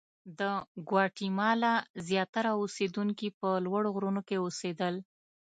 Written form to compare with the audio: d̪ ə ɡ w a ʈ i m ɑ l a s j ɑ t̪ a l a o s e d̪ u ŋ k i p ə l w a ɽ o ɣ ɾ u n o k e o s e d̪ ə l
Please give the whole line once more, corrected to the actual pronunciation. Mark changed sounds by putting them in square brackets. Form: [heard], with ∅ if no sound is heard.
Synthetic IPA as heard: d̪ ə ɡ w [ɑ] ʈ i m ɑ l a [z] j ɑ t̪ a [ɾ] a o s e d̪ u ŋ k i p ə l w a ɽ o ɣ ɾ u n o k e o s e d̪ ə l